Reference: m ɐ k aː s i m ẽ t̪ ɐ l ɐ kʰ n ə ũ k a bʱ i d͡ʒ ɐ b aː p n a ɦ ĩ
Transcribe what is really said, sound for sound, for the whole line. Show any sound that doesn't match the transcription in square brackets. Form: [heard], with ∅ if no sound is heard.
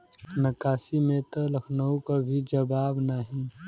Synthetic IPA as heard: [n] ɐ k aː s i m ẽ t̪ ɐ l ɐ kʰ n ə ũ k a bʱ i d͡ʒ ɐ b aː [b] n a ɦ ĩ